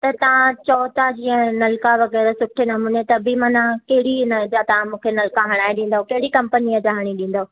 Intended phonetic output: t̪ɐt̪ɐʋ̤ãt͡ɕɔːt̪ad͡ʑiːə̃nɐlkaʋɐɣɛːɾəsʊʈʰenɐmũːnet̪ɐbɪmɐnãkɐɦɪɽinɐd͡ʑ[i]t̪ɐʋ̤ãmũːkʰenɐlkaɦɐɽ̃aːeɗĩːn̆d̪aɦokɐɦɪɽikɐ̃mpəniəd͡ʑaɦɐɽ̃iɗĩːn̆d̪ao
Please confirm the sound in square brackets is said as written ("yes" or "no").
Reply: no